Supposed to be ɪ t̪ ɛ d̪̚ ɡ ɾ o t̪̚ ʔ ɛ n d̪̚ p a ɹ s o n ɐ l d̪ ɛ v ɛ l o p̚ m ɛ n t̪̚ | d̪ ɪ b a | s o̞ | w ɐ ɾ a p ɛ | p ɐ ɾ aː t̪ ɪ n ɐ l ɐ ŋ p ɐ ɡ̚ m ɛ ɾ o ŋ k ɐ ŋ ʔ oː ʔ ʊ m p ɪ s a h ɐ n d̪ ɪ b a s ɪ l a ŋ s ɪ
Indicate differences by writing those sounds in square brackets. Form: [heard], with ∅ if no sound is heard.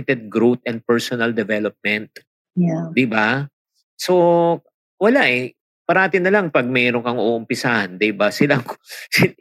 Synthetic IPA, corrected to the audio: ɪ t̪ ɛ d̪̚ ɡ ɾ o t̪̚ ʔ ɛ n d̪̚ p [ɛ] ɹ s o n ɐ l d̪ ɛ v ɛ l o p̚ m ɛ n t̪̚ | d̪ ɪ b a | s o̞ | w ɐ [l] a [ʔ] ɛ | p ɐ ɾ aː t̪ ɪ n ɐ l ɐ ŋ p ɐ ɡ̚ m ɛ ɾ o ŋ k ɐ ŋ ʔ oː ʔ ʊ m p ɪ s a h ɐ n d̪ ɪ b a s ɪ l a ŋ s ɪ